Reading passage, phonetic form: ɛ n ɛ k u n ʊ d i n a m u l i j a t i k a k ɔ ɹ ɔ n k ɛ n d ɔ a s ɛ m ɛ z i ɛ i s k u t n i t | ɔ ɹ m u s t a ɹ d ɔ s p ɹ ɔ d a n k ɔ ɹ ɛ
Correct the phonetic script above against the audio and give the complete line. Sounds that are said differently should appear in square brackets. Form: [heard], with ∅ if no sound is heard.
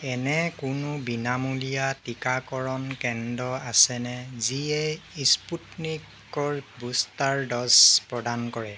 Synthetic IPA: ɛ n ɛ k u n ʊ [b] i n a m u l i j a t i k a k ɔ ɹ ɔ n k ɛ n d ɔ a s ɛ [n] ɛ z i ɛ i s [p] u t n i [k] | ɔ ɹ [b] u s t a ɹ d ɔ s p ɹ ɔ d a n k ɔ ɹ ɛ

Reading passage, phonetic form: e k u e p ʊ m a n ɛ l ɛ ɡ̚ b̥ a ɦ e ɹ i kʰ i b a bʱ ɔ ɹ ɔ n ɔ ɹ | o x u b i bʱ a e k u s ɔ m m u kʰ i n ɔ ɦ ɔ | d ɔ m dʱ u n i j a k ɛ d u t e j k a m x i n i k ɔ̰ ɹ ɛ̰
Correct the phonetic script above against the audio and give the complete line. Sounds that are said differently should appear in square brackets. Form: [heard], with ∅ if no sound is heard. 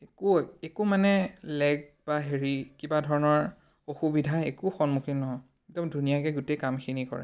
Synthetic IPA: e k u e [k] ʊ m a n ɛ l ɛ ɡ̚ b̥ a ɦ e ɹ i [k] i b a [dʱ] ɔ ɹ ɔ n ɔ ɹ | o x u b i [dʱ] a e k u [x] ɔ [n] m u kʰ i n ɔ ɦ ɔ | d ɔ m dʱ u n i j a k ɛ [ɡ] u t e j k a m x i n i k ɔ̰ ɹ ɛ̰

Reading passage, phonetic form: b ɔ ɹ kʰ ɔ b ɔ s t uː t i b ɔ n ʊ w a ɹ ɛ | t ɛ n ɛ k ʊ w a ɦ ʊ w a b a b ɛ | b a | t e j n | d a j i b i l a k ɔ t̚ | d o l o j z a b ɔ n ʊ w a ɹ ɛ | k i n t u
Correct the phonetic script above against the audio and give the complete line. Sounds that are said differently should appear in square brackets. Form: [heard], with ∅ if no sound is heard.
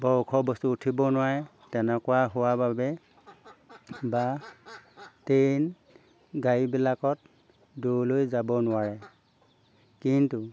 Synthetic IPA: b ɔ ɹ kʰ ɔ b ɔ s t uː [tʰ] i b ɔ n ʊ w a ɹ ɛ | t ɛ n ɛ k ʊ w a ɦ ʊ w a b a b ɛ | b a | t e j n | [ɡ] a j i b i l a k ɔ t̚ | d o l o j z a b ɔ n ʊ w a ɹ ɛ | k i n t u

